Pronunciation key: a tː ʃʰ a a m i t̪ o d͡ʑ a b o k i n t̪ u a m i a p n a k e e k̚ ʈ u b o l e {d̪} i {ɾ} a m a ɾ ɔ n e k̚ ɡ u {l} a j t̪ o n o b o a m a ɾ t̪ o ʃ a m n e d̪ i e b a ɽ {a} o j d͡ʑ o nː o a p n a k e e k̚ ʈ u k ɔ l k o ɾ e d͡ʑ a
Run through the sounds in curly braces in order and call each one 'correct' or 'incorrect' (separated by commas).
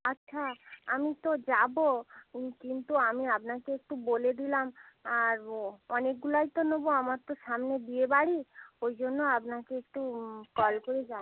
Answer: correct, incorrect, correct, incorrect